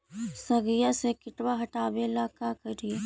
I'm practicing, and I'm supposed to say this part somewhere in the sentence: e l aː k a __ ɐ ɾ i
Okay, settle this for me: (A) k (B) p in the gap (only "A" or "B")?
A